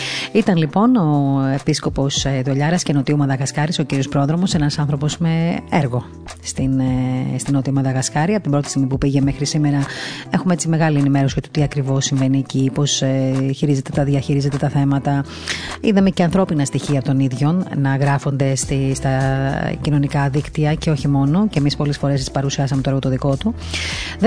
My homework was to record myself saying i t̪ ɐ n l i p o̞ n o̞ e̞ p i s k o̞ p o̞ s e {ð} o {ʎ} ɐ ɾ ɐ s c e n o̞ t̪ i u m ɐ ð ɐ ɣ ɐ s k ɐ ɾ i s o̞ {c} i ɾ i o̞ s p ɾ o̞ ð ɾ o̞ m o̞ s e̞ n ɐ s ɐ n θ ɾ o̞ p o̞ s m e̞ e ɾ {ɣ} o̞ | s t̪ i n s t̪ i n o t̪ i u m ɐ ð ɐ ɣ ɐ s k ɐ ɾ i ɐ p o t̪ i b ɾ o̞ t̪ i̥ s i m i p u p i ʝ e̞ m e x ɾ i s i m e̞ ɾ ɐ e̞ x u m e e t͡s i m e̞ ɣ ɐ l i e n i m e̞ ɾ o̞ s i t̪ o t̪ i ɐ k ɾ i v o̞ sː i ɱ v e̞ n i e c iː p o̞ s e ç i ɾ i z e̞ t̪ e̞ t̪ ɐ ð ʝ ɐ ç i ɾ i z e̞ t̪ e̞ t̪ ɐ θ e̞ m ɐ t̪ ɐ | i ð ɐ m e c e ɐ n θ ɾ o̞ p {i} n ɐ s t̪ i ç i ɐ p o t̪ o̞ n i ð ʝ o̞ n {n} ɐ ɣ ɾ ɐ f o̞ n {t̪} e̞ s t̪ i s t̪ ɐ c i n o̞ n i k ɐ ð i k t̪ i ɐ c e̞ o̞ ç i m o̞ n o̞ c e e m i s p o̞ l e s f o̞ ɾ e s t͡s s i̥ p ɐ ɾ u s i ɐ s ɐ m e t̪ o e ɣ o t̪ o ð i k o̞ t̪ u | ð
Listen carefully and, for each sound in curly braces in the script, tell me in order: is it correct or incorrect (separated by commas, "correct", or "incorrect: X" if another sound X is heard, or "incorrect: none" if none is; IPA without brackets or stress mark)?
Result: correct, correct, correct, correct, correct, correct, incorrect: d̪